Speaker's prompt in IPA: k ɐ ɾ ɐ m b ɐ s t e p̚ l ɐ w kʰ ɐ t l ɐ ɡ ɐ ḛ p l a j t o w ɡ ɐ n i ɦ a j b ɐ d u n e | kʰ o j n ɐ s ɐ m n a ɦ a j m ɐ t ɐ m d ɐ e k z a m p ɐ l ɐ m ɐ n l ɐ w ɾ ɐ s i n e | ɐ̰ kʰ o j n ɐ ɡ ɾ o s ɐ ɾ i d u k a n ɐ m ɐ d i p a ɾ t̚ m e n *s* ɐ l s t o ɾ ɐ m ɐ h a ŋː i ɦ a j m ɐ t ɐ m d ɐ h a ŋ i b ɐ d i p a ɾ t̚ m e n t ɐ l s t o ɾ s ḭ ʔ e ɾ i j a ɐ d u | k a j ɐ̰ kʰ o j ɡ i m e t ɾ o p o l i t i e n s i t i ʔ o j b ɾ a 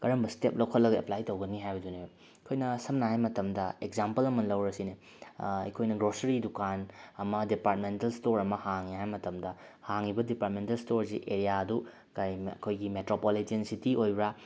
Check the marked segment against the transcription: incorrect: t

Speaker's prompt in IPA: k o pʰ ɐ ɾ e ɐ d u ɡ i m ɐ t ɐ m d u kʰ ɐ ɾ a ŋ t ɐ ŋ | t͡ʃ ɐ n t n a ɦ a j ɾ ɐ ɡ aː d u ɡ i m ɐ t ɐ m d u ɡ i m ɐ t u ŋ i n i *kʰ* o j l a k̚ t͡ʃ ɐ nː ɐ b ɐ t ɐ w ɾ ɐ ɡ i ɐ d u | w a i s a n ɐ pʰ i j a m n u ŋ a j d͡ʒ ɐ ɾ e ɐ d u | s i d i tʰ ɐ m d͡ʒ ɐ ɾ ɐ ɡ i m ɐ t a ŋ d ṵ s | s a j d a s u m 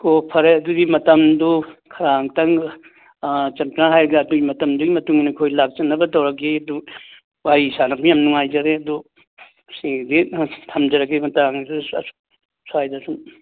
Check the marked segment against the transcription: correct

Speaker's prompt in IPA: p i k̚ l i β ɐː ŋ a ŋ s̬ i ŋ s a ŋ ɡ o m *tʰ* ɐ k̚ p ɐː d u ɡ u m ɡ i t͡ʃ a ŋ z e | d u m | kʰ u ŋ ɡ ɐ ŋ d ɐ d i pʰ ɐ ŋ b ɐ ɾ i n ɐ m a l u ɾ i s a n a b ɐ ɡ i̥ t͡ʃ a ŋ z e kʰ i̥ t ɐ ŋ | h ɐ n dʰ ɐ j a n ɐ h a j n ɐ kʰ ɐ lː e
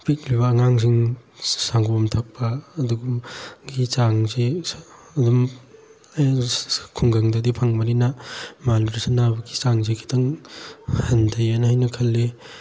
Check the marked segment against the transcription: correct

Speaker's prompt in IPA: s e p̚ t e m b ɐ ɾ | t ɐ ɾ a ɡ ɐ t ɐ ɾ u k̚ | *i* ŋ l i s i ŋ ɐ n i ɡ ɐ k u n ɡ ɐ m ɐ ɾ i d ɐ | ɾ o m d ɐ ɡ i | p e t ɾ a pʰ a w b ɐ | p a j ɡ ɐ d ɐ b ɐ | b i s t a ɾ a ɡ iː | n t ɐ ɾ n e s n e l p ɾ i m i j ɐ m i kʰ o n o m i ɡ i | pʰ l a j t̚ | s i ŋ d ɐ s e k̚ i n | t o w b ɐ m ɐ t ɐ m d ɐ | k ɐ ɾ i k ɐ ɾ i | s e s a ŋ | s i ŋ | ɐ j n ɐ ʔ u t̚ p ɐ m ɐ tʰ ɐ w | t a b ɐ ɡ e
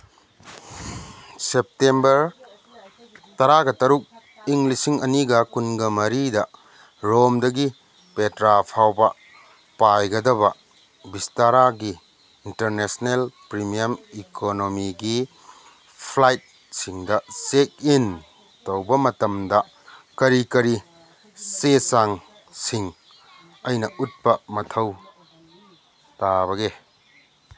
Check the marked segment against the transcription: correct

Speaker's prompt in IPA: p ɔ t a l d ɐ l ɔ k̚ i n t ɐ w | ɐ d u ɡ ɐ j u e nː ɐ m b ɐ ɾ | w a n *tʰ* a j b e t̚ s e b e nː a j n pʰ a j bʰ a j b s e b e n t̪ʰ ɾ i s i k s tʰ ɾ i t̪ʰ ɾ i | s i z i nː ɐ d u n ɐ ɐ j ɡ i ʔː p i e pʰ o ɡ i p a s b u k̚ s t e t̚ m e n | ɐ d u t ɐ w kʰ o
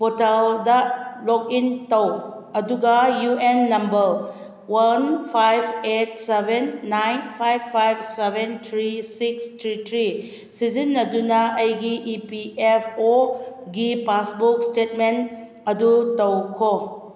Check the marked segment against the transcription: incorrect: pʰ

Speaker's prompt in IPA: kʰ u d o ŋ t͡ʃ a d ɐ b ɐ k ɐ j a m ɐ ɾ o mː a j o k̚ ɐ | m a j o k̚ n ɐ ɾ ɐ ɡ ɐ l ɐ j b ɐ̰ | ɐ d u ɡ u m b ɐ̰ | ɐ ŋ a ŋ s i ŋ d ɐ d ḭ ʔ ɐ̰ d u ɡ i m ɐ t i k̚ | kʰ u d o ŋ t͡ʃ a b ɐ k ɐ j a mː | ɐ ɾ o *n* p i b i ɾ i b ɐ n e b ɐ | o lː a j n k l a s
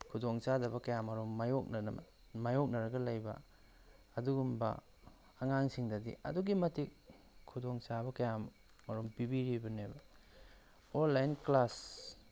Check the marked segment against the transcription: incorrect: m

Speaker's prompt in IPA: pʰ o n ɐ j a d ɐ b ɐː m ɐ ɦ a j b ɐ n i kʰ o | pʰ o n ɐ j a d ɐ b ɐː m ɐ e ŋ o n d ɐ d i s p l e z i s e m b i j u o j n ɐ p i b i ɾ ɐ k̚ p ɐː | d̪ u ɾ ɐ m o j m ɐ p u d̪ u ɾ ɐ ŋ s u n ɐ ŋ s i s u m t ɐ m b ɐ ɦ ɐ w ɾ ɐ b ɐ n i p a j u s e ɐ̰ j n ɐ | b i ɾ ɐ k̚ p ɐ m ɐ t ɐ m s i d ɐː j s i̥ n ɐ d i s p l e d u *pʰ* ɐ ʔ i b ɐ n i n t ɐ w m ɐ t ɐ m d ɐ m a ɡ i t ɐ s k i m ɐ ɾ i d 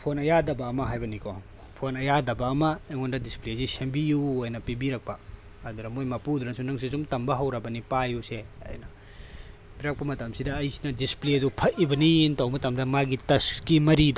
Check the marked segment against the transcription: correct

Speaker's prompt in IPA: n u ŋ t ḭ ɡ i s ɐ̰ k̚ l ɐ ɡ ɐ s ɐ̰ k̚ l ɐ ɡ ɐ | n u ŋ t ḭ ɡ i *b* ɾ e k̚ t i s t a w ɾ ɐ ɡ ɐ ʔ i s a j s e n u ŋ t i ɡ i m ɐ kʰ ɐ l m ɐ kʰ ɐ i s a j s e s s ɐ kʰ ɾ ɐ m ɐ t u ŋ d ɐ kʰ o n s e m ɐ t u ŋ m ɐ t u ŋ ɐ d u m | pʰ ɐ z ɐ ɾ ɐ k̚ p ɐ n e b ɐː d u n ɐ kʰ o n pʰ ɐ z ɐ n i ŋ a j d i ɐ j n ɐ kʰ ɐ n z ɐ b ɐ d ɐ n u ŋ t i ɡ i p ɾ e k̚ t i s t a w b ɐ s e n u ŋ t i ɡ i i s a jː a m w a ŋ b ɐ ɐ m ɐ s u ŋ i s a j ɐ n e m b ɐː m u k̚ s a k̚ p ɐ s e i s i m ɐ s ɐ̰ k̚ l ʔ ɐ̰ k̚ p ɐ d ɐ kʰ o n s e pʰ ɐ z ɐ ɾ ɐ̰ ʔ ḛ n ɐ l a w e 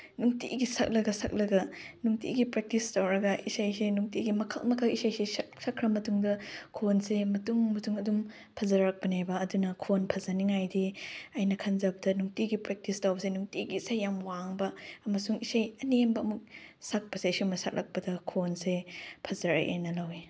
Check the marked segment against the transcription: incorrect: p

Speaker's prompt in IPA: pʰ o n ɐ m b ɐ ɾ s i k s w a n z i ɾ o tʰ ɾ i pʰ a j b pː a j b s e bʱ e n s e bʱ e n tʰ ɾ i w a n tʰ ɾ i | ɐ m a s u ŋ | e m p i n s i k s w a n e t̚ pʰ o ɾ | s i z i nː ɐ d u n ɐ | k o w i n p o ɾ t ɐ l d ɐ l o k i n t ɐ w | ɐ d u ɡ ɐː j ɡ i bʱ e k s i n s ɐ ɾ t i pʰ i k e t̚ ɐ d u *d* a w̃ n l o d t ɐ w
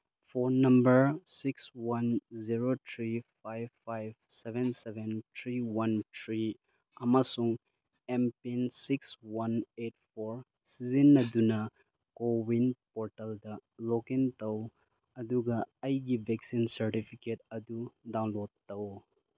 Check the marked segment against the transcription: correct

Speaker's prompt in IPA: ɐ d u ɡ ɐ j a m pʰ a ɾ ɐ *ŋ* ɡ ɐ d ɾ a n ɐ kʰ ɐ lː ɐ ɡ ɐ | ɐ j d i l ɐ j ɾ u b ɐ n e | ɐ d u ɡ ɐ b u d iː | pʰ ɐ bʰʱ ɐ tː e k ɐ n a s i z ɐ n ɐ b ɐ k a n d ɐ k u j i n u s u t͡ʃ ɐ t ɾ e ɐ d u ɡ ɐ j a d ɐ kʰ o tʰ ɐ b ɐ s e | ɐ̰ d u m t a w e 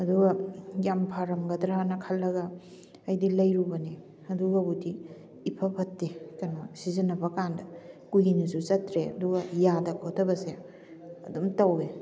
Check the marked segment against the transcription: incorrect: m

